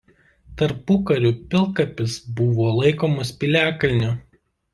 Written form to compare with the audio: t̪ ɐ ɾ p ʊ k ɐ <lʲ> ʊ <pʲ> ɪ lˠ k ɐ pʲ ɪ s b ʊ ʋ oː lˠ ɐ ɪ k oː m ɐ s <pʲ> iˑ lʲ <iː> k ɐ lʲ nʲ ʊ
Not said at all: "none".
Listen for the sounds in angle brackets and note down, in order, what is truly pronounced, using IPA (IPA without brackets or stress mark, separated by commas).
ɾʲ, pʲ, pʲ, æː